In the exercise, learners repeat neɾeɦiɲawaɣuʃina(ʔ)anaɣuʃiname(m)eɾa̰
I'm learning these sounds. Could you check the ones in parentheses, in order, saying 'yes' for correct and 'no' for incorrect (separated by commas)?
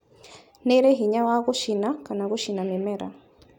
no, yes